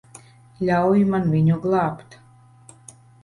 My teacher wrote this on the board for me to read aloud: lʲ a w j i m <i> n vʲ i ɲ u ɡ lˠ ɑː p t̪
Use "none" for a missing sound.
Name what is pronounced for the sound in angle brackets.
a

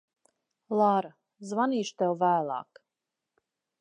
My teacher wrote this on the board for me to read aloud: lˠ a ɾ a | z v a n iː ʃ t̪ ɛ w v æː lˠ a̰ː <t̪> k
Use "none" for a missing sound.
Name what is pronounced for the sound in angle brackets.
none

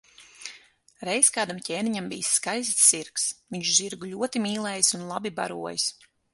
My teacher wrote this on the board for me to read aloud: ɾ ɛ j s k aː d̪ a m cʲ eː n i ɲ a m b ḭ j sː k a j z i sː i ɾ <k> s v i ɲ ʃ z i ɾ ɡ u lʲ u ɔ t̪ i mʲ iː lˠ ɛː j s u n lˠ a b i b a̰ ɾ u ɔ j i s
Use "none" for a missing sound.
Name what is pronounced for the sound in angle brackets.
k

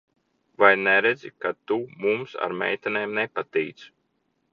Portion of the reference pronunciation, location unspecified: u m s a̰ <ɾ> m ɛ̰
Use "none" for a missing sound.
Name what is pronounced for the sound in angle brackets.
ɾ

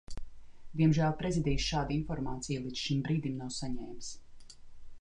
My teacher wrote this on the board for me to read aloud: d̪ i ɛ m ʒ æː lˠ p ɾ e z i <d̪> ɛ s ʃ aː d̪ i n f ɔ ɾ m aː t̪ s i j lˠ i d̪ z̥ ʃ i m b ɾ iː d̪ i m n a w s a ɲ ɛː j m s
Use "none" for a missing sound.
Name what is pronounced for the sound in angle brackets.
d̪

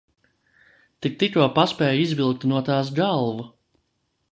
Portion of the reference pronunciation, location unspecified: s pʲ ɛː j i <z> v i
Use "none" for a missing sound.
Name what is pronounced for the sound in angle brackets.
z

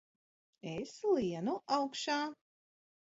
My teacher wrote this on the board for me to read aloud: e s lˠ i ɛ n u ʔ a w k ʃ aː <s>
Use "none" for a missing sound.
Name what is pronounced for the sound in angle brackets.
none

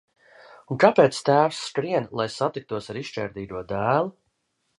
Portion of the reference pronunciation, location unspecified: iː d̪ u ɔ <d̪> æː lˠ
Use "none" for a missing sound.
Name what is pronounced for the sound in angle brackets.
d̪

